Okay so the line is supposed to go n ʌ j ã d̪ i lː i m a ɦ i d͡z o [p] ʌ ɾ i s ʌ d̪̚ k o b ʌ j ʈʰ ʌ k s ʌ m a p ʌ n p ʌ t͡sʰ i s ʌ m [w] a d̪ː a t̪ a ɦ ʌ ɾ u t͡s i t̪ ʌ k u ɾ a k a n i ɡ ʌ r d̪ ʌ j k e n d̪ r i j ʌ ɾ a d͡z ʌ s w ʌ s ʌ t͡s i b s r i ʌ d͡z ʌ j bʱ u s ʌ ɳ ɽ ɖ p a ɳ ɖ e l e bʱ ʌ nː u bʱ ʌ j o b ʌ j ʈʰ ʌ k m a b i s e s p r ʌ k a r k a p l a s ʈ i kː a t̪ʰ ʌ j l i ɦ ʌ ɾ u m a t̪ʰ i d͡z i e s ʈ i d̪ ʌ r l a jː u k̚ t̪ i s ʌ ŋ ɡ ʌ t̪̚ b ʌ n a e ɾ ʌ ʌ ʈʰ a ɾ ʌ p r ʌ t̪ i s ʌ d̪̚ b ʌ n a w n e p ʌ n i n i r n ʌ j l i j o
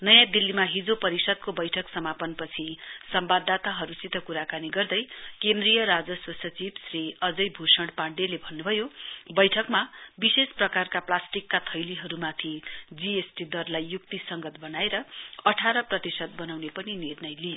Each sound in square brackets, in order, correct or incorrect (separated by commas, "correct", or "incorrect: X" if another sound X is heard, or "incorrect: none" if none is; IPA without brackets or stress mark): correct, incorrect: b